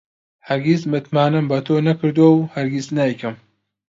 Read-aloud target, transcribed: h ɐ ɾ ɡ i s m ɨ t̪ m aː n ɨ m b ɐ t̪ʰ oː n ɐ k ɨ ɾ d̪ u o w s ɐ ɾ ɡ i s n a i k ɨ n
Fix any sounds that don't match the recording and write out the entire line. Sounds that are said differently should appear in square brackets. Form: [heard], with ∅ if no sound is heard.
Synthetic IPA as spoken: h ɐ ɾ ɡ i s m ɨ t̪ m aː n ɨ m b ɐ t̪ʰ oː n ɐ k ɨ ɾ d̪ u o w [h] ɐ ɾ ɡ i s n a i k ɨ [m]